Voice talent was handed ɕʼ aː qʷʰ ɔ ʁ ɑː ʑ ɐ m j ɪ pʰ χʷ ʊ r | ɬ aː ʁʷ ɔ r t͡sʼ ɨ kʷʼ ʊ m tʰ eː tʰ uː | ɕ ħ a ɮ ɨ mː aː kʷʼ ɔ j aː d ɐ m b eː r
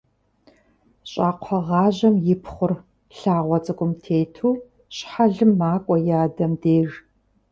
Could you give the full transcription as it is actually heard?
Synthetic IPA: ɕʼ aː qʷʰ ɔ ʁ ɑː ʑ ɐ m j ɪ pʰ χʷ ʊ r | ɬ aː ʁʷ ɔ t͡sʼ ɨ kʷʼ ʊ m tʰ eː tʰ uː | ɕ ħ a ɮ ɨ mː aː kʷʼ ɔ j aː d ɐ m d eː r